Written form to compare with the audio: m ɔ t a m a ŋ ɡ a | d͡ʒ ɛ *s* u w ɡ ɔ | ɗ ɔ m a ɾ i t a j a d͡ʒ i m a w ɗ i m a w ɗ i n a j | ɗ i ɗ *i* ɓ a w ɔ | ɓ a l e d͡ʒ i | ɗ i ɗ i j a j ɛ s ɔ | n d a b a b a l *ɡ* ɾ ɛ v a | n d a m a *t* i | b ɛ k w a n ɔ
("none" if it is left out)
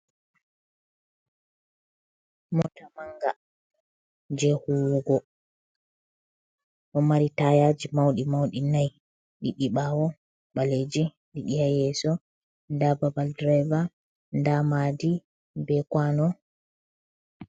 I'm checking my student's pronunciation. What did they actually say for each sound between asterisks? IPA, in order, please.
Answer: h, i, d, d

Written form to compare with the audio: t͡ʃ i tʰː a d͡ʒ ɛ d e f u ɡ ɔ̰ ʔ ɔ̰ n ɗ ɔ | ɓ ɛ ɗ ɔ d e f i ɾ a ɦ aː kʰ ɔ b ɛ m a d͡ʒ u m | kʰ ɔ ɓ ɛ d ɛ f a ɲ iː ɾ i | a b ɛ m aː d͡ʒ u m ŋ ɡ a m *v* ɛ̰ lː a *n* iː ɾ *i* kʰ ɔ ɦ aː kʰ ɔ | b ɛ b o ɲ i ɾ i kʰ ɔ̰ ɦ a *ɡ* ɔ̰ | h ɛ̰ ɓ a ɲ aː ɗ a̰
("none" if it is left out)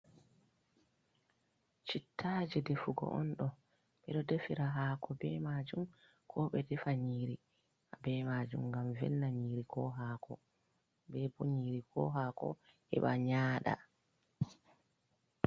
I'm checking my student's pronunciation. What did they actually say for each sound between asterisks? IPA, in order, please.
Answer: v, ɲ, i, k

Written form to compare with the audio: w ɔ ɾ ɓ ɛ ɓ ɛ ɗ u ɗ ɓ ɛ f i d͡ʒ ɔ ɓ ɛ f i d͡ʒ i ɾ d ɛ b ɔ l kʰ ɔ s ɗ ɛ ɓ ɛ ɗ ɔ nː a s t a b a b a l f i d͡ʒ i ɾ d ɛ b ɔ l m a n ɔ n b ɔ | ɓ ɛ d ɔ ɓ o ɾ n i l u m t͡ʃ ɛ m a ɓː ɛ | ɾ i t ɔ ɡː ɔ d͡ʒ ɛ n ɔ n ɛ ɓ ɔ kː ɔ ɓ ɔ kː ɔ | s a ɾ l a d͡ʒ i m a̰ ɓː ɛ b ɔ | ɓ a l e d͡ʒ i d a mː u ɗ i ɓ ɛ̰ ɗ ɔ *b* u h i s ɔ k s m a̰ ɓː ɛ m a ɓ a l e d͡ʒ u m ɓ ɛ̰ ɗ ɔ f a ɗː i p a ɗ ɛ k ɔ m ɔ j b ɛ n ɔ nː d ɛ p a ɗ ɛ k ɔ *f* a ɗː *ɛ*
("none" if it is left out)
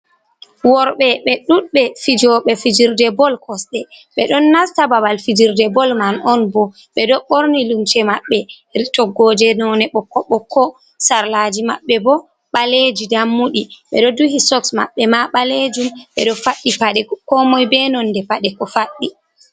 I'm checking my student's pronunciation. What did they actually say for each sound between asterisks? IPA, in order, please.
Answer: d, f, i

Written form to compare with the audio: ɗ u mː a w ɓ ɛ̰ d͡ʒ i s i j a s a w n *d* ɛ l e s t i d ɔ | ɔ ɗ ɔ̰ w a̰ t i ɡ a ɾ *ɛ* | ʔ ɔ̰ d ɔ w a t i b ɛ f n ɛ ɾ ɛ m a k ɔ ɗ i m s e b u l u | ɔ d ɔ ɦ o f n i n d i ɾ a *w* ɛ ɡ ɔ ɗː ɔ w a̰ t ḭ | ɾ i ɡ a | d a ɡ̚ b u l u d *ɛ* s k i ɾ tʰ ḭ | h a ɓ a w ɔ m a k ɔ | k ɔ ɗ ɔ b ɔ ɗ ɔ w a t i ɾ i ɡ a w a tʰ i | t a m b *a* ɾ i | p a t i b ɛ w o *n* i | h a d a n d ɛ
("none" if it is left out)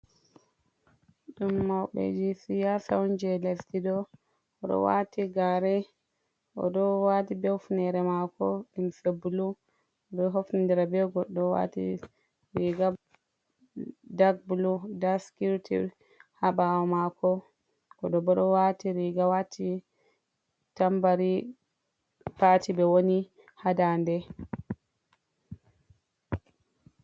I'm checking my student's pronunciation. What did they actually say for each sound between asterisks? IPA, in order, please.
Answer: d͡ʒ, ɛ, b, a, a, n

